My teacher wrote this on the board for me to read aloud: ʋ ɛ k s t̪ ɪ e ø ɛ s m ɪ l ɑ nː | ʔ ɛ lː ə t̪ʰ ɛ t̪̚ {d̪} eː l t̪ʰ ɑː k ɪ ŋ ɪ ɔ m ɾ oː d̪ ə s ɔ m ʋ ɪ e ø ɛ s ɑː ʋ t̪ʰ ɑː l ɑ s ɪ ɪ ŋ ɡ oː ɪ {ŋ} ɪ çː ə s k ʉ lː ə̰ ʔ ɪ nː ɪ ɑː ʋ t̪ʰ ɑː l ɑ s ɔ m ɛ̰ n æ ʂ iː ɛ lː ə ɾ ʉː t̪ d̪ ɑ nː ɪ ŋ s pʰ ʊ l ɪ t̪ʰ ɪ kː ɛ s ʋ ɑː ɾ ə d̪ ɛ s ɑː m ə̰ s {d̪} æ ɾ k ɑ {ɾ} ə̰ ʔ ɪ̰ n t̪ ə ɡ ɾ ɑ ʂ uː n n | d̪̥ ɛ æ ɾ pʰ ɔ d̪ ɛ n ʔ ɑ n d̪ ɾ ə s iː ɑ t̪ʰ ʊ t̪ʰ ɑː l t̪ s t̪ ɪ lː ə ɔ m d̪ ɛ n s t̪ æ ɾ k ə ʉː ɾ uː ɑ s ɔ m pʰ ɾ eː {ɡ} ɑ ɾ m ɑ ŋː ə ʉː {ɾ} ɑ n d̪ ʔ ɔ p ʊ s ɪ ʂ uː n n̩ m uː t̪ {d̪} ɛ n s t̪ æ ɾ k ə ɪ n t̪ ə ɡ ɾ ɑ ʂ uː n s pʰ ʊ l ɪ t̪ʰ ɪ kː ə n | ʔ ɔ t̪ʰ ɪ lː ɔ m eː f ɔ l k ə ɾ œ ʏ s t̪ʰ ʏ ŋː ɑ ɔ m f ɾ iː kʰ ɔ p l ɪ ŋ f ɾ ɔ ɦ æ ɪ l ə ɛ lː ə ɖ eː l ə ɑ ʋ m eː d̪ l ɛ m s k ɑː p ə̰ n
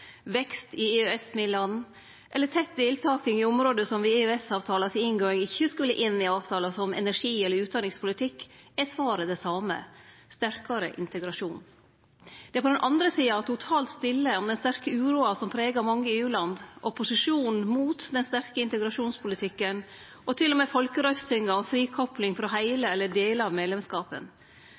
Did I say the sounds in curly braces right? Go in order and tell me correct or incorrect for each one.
correct, correct, incorrect: t̪, correct, correct, incorrect: l, correct

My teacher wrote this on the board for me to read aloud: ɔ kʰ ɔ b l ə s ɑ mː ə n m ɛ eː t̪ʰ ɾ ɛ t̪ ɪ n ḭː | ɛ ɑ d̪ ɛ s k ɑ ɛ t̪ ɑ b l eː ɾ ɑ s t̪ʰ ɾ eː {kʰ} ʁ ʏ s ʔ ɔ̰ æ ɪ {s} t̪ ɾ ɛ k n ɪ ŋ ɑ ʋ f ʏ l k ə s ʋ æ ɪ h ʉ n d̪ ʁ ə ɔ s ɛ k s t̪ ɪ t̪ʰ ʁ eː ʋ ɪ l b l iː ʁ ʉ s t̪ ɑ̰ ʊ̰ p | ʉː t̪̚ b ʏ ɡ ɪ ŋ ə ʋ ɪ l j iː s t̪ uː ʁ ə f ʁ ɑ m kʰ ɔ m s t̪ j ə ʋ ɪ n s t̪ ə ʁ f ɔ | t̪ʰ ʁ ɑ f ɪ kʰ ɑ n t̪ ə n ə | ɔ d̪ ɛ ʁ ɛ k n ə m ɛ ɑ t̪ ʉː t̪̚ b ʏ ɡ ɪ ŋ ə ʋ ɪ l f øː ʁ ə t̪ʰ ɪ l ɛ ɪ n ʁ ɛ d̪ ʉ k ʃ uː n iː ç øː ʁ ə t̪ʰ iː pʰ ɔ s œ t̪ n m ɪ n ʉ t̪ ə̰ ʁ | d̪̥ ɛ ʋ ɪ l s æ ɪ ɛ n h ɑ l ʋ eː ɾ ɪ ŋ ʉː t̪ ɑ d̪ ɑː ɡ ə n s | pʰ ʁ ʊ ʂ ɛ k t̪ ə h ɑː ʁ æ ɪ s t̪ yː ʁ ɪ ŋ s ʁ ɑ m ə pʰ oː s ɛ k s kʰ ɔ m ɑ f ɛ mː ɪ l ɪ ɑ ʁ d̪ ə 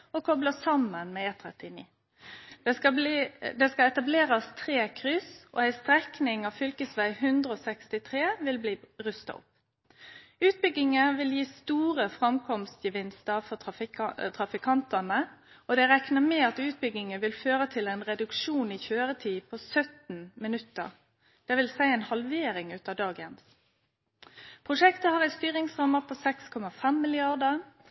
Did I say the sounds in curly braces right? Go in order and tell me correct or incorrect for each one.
correct, correct

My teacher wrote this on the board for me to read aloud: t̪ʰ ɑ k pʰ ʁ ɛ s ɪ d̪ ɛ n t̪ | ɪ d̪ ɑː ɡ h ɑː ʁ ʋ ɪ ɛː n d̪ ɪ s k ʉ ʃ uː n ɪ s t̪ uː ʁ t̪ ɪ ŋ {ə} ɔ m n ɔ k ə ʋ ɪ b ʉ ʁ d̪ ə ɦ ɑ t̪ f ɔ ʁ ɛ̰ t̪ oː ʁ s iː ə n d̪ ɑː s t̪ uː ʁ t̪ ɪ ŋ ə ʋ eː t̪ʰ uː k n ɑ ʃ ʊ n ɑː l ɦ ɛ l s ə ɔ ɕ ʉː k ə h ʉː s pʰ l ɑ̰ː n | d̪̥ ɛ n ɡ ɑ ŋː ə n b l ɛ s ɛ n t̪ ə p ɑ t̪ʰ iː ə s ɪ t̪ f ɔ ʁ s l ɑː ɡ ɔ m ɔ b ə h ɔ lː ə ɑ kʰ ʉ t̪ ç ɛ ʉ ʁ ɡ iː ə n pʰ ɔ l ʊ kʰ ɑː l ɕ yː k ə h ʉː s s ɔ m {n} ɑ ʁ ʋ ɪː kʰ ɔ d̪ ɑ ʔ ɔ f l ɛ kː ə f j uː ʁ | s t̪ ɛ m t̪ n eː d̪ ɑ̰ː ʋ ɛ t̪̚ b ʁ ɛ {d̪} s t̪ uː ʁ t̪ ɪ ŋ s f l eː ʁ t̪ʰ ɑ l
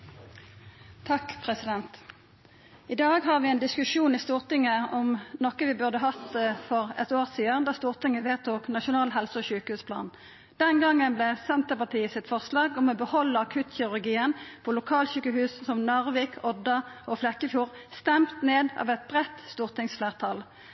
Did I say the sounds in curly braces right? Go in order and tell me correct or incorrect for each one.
correct, correct, incorrect: t̪

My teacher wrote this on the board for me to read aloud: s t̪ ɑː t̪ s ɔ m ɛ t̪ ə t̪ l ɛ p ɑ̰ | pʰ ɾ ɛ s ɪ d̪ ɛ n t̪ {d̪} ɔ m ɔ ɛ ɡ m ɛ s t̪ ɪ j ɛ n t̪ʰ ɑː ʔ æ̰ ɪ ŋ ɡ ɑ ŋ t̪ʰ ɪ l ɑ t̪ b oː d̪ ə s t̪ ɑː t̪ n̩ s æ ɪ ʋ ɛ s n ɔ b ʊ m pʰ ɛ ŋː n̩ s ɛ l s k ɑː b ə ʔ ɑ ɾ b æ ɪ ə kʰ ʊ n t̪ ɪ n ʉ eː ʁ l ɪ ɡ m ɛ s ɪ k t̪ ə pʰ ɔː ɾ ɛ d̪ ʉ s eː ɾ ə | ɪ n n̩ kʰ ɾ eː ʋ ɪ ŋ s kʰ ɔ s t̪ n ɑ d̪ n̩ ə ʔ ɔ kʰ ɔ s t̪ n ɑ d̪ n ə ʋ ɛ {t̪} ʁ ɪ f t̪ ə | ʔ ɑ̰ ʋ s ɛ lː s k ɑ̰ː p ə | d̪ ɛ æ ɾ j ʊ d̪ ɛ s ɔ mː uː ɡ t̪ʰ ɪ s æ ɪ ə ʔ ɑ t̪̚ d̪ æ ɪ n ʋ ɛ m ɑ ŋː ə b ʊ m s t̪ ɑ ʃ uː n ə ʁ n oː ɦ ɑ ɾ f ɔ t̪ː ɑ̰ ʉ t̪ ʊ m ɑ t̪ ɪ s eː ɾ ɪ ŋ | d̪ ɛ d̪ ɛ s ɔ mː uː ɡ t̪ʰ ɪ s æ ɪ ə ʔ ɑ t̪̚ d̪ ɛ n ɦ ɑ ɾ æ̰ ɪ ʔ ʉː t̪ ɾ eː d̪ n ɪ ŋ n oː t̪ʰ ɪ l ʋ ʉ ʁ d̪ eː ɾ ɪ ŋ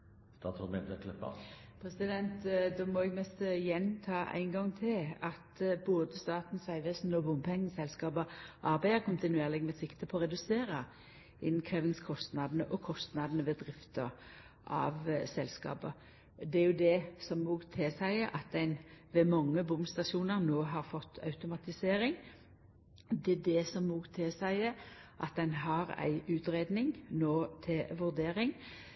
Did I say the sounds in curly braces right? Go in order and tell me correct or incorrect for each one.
correct, incorrect: d̪

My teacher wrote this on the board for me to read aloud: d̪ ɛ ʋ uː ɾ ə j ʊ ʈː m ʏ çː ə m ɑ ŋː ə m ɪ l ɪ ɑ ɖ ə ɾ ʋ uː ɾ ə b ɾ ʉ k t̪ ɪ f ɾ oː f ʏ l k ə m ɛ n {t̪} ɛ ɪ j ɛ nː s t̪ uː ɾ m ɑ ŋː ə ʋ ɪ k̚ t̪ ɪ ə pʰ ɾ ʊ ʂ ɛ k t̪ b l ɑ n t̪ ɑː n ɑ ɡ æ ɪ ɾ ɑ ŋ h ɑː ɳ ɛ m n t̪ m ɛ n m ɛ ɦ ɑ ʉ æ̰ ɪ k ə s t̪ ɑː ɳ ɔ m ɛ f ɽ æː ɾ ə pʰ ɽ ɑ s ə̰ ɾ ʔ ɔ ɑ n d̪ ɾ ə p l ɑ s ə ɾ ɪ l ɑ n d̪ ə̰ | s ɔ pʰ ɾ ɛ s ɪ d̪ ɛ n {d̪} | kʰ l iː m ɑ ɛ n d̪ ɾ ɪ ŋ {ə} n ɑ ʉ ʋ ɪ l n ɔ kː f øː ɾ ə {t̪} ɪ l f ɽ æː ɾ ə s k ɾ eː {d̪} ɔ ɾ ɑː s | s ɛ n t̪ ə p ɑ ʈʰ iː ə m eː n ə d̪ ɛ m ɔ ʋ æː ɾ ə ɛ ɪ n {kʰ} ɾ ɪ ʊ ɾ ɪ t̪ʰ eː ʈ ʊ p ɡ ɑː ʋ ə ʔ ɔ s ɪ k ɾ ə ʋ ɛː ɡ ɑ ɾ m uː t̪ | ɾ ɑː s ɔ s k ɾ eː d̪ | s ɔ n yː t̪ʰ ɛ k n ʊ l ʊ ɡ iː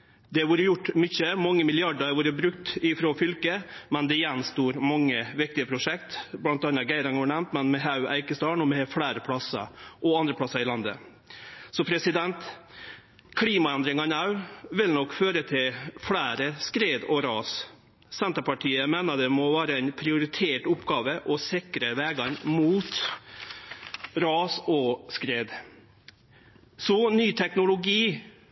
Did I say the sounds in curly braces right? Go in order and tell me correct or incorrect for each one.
incorrect: d̪, incorrect: t̪, incorrect: ɑ, incorrect: t̪ʰ, correct, incorrect: pʰ

